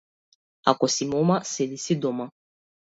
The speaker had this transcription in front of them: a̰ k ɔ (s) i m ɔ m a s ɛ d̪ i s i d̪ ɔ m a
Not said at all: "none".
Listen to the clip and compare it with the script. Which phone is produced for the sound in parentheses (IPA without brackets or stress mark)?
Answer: s